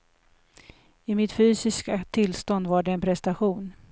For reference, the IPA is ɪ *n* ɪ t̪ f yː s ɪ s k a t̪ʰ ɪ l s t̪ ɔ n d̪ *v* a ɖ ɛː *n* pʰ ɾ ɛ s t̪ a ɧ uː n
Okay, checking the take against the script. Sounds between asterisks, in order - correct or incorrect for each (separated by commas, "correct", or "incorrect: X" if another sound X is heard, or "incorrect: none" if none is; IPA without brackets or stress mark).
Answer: incorrect: m, correct, correct